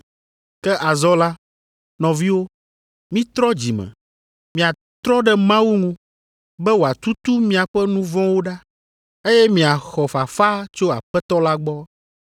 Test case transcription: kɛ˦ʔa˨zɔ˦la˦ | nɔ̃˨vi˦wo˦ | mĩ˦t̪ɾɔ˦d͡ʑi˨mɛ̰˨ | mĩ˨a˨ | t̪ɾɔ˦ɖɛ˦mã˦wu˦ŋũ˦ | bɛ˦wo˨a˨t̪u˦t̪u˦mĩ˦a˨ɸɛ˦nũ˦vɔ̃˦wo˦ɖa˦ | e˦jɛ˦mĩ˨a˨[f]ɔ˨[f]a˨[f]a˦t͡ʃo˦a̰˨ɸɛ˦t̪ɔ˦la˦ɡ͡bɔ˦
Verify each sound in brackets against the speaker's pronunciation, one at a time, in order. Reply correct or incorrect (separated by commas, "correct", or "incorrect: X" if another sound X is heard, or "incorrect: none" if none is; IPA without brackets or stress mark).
incorrect: x, correct, correct